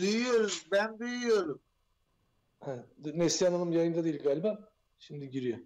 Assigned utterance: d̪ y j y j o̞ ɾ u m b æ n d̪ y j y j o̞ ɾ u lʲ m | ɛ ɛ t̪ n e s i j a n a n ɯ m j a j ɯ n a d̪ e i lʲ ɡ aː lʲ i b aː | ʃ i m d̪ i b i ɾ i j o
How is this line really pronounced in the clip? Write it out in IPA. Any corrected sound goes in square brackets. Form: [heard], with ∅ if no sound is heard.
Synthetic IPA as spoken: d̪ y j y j o̞ ɾ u m b æ n d̪ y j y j o̞ ɾ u [∅] m | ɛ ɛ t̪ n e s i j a n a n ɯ m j a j ɯ n a d̪ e i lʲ ɡ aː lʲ i b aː | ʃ i m d̪ i [ɟ] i ɾ i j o